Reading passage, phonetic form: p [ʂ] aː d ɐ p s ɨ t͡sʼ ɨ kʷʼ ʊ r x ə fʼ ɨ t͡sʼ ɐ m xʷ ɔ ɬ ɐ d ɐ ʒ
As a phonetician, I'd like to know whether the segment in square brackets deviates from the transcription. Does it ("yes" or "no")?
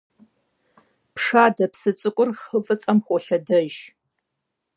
no